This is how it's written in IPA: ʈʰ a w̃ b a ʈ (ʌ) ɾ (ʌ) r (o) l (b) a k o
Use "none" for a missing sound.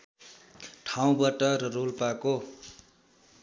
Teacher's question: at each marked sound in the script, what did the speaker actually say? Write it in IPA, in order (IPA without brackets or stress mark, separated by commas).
ʌ, ʌ, o, p